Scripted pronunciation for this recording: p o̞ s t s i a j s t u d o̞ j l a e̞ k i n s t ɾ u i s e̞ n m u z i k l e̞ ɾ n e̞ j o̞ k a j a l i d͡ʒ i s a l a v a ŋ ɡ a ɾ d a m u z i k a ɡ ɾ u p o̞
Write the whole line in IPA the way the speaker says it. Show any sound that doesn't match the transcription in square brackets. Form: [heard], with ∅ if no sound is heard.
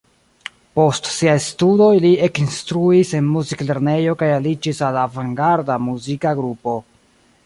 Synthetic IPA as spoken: p o̞ s t s i a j s t u d o̞ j l [i] e̞ k i n s t ɾ u i s e̞ n m u z i k l e̞ ɾ n e̞ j o̞ k a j a l i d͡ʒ i s a l a v a ŋ ɡ a ɾ d a m u z i k a ɡ ɾ u p o̞